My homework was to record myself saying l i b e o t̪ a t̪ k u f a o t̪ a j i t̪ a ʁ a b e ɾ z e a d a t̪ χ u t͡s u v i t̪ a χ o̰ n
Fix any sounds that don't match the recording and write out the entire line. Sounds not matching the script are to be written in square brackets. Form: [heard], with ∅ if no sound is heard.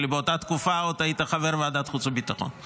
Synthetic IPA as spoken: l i b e o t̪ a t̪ k u f a o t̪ a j i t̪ a [χ] a [v] e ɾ [v] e a d a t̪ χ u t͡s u [b] i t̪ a χ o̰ n

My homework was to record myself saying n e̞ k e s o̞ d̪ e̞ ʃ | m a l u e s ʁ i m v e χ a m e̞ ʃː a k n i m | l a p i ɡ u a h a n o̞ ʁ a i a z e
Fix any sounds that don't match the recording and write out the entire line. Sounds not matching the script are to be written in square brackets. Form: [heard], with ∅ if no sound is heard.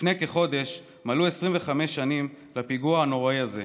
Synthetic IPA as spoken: n e̞ k e [χ] o̞ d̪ e̞ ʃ | m a l u e s ʁ i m v e χ a m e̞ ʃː a [∅] n i m | l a p i ɡ u a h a n o̞ ʁ a i a z e

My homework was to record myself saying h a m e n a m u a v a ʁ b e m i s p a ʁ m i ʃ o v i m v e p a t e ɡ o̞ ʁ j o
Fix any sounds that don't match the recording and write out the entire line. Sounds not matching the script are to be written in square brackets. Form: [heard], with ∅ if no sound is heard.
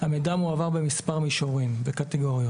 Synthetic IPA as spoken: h a m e [d] a m u a v a ʁ b e m i s p a ʁ m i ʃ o [ʁ] i m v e [k] a t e ɡ o̞ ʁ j o

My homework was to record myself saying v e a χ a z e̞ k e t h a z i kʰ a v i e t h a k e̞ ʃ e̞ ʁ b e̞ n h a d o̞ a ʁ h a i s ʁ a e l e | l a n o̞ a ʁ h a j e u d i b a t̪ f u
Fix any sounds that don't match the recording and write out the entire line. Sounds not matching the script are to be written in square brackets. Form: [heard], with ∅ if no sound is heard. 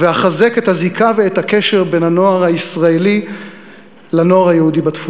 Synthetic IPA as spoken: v e a χ a z e̞ k e t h a z i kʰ a v [e] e t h a k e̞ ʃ e̞ ʁ b e̞ n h a [n] o̞ a ʁ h a i s ʁ a e l [i] | l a n o̞ a ʁ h a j e u d i b a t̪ f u

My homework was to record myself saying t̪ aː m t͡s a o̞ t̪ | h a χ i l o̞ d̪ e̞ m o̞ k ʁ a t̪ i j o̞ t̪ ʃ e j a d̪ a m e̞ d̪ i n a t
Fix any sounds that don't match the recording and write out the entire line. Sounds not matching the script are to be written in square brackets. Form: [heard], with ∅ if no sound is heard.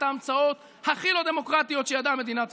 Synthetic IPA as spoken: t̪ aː m t͡s a o̞ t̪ | h a χ i l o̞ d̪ e̞ m o̞ k ʁ a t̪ i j o̞ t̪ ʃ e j a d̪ a m e̞ d̪ i n a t

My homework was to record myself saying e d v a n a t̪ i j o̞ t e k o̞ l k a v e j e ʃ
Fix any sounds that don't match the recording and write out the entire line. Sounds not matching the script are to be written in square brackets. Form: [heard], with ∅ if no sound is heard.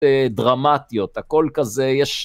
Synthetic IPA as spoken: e d [ʁ] a [m] a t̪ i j o̞ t [a] k o̞ l k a [z] e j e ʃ

